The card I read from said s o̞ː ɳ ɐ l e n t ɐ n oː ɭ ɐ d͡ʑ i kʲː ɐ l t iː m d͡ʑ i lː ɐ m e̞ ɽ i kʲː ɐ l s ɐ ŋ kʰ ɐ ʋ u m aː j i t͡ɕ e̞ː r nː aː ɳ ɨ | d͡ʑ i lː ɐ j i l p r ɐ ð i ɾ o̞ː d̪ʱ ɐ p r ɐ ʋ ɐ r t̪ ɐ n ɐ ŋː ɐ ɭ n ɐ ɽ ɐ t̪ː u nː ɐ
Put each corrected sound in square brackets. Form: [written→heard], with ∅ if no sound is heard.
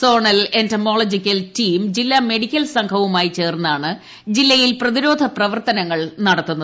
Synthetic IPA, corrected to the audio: s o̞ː ɳ ɐ l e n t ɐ [n→m] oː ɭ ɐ d͡ʑ i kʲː ɐ l t iː m d͡ʑ i lː ɐ m e̞ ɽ i kʲː ɐ l s ɐ ŋ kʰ ɐ ʋ u m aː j i t͡ɕ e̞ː r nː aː ɳ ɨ | d͡ʑ i lː ɐ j i l p r ɐ ð i ɾ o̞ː d̪ʱ ɐ p r ɐ ʋ ɐ r t̪ ɐ n ɐ ŋː ɐ ɭ n ɐ ɽ ɐ t̪ː u nː ɐ